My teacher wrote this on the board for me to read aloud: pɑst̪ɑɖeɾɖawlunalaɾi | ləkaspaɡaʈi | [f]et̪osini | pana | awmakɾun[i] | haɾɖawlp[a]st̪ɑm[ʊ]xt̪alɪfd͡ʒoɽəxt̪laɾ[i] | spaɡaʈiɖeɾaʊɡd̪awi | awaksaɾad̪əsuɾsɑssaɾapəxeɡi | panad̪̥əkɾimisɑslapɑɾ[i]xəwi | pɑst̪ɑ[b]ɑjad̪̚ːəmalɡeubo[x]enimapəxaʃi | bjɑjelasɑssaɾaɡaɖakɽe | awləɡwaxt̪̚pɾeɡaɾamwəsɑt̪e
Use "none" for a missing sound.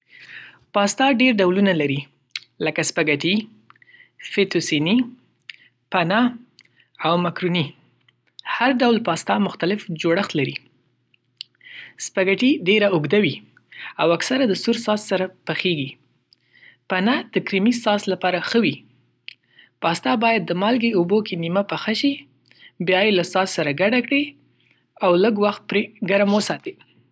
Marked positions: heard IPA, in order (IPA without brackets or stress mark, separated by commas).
f, i, ɑ, ʊ, i, a, b, k